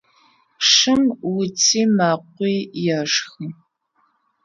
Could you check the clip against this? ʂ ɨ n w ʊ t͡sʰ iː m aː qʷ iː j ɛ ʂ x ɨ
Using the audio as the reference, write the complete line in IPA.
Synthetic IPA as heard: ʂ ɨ m w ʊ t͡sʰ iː m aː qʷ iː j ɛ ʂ x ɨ